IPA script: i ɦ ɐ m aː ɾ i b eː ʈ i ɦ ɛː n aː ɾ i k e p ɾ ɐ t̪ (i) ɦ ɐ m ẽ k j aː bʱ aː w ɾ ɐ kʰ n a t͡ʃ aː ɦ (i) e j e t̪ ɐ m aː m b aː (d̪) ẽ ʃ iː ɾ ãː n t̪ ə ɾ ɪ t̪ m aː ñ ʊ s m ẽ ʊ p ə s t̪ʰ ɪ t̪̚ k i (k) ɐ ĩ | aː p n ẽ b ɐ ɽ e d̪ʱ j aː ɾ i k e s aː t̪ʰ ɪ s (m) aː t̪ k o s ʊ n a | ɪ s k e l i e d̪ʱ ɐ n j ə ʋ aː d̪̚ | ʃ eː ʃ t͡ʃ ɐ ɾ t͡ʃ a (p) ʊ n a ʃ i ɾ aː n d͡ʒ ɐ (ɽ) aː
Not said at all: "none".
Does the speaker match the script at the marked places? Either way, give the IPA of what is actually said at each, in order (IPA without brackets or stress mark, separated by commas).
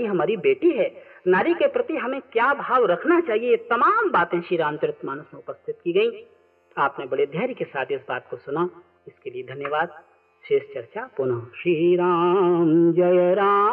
i, i, t̪, ɡ, b, p, ɾ